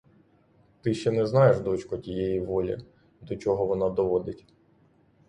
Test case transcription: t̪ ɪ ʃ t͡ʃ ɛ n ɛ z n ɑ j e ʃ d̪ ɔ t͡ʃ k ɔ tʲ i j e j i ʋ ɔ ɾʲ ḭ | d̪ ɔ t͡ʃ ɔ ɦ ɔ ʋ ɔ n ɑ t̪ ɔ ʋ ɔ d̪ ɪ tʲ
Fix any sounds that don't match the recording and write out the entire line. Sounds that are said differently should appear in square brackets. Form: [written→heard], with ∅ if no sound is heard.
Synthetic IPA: t̪ ɪ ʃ t͡ʃ ɛ n ɛ z n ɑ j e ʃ d̪ ɔ t͡ʃ k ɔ tʲ i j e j i ʋ ɔ [ɾʲ→lʲ] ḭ | d̪ ɔ t͡ʃ ɔ ɦ ɔ ʋ ɔ n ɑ [t̪→d̪] ɔ ʋ ɔ d̪ ɪ tʲ